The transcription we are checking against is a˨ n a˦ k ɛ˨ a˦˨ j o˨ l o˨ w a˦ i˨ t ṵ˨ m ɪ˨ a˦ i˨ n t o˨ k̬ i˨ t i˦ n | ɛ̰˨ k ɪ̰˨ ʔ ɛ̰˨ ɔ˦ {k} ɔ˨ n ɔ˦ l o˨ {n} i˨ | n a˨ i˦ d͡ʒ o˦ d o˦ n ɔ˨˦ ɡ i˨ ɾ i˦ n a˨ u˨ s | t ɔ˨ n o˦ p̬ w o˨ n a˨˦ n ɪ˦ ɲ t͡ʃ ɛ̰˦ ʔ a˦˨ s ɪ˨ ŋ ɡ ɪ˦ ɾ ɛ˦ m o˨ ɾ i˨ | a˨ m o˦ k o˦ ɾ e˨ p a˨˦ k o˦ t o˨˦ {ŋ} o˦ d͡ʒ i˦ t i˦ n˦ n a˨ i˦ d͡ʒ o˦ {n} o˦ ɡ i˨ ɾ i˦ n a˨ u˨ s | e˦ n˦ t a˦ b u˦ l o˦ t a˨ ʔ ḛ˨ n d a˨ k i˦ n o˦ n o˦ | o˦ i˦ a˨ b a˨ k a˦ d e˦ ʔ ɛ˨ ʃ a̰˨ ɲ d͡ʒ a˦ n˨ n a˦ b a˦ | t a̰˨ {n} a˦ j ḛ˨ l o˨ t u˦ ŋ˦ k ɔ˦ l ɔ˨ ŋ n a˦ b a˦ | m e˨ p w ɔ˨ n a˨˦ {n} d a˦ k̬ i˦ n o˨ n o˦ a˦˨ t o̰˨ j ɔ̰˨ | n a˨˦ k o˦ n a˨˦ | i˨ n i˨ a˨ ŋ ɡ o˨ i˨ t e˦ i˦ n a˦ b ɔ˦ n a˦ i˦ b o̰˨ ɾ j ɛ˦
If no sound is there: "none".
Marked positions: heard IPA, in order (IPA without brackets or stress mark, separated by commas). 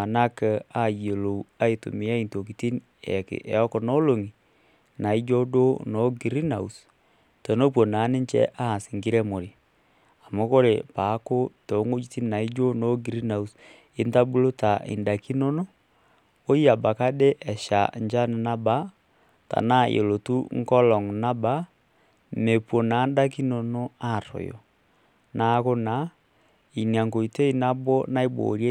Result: k, ŋ, ŋ, n, n, n